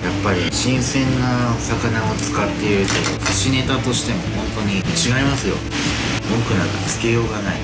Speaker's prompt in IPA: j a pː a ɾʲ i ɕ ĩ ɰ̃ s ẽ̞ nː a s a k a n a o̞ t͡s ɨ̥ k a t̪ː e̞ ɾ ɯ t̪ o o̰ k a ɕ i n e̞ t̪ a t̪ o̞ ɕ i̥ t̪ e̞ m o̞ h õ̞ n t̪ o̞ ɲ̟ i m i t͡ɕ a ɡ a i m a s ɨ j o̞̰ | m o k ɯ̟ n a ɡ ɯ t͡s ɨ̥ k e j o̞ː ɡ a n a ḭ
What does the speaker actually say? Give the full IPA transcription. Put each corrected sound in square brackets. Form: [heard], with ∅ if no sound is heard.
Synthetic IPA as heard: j a pː a ɾʲ i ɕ ĩ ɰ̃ s ẽ̞ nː a s a k a n a o̞ t͡s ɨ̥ k a t̪ː e̞ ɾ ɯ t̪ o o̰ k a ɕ i n e̞ t̪ a t̪ o̞ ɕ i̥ t̪ e̞ m o̞ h õ̞ n t̪ o̞ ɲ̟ i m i t͡ɕ [i] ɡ a i m a s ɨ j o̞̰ | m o k ɯ̟ n a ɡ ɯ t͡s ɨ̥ k e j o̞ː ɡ a n a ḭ